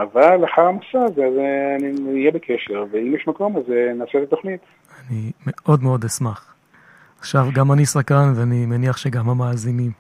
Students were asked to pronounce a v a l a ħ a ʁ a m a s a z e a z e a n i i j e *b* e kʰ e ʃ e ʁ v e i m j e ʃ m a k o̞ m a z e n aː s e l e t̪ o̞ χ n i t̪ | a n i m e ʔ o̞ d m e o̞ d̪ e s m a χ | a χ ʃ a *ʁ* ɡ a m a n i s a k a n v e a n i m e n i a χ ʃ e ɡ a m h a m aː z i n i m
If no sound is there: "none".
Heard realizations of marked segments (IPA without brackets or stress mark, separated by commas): b, v